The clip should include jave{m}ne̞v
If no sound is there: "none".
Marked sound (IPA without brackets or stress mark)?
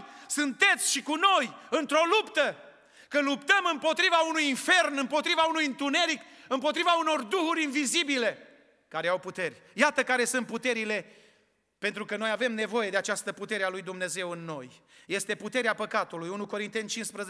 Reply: m